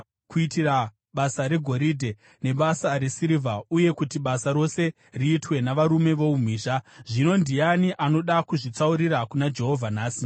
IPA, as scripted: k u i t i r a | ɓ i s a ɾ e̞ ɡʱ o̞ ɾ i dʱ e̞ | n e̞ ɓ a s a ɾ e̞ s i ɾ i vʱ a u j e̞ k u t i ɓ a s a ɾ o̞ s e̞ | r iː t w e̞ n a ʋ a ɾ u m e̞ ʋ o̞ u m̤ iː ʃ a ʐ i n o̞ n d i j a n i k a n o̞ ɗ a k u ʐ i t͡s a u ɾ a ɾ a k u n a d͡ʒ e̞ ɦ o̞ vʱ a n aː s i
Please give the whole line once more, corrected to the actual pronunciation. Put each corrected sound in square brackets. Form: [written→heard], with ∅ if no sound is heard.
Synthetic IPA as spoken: k u i t i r a | ɓ [i→a] s a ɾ e̞ ɡʱ o̞ ɾ i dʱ e̞ | n e̞ ɓ a s a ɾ e̞ s i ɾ i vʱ a u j e̞ k u t i ɓ a s a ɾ o̞ s e̞ | r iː t w e̞ n a ʋ a ɾ u m e̞ ʋ o̞ u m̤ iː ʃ a ʐ i n o̞ n d i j a n i [k→ʔ] a n o̞ ɗ a k u ʐ i t͡s a u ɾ [a→i] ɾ a k u n a d͡ʒ e̞ ɦ o̞ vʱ a n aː s i